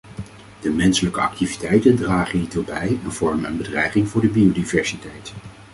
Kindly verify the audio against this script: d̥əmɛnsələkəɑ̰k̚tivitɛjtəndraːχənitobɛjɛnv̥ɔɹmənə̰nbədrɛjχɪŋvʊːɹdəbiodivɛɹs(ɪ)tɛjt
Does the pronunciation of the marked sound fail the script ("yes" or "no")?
yes